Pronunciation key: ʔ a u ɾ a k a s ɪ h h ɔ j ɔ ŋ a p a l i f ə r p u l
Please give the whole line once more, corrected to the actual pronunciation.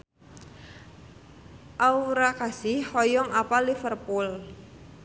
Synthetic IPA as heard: ʔ a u ɾ a k a s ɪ h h ɔ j ɔ ŋ a p a l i f ə r p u l